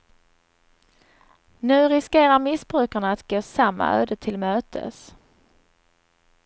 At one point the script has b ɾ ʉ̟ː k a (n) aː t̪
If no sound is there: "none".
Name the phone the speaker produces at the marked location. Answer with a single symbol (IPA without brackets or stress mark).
ɳ